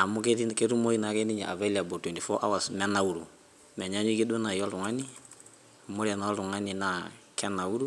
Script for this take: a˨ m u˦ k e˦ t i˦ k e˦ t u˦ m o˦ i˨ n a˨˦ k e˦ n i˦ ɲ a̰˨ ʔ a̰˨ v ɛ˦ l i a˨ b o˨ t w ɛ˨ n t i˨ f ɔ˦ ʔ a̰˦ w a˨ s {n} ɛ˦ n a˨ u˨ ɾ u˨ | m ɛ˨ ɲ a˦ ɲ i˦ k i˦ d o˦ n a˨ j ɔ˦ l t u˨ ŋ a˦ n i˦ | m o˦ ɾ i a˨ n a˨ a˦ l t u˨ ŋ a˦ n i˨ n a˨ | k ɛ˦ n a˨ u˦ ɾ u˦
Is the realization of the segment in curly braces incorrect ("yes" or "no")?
yes